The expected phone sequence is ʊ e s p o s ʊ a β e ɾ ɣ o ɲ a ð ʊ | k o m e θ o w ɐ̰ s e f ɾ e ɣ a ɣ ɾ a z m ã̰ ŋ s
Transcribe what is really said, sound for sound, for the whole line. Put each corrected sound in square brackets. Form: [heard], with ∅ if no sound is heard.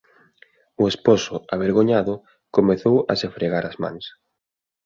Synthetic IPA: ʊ e s p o s ʊ a β e ɾ ɣ o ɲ a ð ʊ | k o m e θ o w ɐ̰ s e f ɾ e ɣ a [∅] ɾ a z m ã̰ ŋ s